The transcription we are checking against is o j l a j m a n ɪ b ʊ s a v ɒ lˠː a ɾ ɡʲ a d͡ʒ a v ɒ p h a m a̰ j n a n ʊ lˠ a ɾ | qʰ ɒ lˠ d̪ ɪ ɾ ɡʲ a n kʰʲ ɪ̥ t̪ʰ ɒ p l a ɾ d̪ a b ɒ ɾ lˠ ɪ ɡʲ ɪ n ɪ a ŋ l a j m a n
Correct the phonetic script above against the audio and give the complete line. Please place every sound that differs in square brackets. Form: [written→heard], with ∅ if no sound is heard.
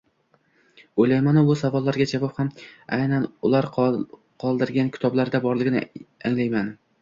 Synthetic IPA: o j l a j m a n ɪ b ʊ s a v ɒ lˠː a ɾ ɡʲ a d͡ʒ a v ɒ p h a m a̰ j n a n ʊ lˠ a ɾ | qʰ ɒ lˠ d̪ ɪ ɾ ɡʲ a n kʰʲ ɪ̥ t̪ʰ ɒ [p→b] l a ɾ d̪ a b ɒ ɾ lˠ ɪ ɡʲ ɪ n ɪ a ŋ l a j m a n